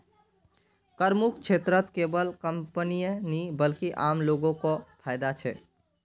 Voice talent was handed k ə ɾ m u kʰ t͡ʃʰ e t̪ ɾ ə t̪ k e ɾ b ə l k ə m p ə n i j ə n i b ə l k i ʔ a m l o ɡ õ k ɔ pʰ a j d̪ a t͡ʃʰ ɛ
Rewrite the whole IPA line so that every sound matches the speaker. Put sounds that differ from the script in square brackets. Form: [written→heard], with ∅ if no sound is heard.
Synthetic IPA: k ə ɾ m u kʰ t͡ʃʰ e t̪ ɾ ə t̪ k e [ɾ→∅] b ə l k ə m p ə n i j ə n i b ə l k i ʔ a m l o ɡ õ k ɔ pʰ a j d̪ a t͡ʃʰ ɛ